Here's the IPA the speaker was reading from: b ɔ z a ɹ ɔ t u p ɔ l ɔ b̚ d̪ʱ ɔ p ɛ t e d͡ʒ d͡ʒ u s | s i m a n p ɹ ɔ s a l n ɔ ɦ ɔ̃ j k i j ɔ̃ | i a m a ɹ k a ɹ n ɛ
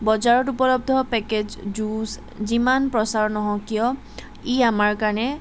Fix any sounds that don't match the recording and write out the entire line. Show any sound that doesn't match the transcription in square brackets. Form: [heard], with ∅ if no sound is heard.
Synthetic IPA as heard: b ɔ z a ɹ ɔ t u p ɔ l ɔ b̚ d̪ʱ ɔ p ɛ [k] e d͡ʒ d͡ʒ u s | [z] i m a n p ɹ ɔ s a [ɹ] n ɔ ɦ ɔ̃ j k i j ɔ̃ | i a m a ɹ k a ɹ n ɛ